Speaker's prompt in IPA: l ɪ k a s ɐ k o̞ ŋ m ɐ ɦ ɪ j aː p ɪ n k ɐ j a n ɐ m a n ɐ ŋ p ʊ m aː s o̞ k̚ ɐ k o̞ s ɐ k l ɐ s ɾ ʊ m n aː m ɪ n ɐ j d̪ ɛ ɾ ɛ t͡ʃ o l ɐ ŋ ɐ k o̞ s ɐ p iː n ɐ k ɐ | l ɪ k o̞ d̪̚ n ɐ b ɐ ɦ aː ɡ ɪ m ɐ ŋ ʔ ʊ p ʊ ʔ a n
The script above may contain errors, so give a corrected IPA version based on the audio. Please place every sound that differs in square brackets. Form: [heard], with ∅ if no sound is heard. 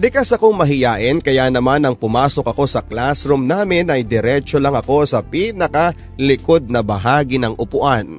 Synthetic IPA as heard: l ɪ k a s ɐ k o̞ ŋ m ɐ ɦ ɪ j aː [ʔ] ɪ n k ɐ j a n ɐ m a n ɐ ŋ p ʊ m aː s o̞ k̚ ɐ k o̞ s ɐ k l [a] s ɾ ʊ m n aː m ɪ n ɐ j d̪ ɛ ɾ ɛ t͡ʃ o l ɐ ŋ ɐ k o̞ s ɐ p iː n ɐ k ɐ | l ɪ k o̞ d̪̚ n ɐ b ɐ ɦ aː ɡ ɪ [n] ɐ ŋ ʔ ʊ p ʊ ʔ a n